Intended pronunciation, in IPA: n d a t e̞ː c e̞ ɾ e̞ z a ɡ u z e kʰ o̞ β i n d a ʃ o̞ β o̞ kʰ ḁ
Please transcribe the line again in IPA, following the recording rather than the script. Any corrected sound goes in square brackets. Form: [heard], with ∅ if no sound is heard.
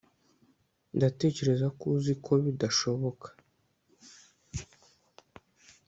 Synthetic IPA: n d a t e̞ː c e̞ ɾ e̞ z a [k] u z [i] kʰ o̞ β i [∅] d a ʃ o̞ β o̞ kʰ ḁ